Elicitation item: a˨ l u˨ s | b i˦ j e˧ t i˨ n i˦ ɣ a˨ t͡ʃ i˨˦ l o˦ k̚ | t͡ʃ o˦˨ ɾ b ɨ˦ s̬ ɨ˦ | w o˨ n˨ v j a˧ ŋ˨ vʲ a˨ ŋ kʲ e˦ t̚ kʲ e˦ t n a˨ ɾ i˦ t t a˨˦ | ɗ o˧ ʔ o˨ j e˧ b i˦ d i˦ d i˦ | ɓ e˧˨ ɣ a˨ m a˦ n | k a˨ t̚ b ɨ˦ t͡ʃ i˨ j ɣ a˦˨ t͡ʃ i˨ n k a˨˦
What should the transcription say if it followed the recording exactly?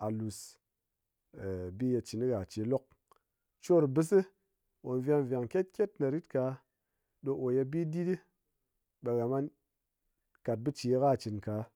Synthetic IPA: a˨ l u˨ s | b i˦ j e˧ t͡ʃ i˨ n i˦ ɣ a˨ t͡ʃ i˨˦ l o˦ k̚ | t͡ʃ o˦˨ ɾ b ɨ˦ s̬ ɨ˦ | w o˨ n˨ v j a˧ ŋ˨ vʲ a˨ ŋ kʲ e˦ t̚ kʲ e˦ t n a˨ ɾ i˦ t k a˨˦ | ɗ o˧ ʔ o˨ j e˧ b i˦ d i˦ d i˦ | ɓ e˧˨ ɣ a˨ m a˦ n | k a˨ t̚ b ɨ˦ t͡ʃ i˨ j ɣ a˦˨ t͡ʃ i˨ n k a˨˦